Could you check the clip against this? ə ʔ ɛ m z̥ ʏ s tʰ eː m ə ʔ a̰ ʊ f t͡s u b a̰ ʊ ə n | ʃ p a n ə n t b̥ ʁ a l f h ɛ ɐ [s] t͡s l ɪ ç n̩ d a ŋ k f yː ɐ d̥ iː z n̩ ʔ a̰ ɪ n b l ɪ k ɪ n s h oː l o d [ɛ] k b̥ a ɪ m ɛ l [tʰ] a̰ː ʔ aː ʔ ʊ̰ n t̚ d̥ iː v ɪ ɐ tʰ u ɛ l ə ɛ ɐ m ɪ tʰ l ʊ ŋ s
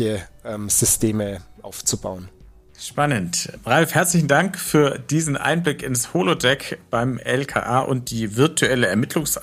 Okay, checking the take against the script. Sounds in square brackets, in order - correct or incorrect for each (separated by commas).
incorrect, correct, incorrect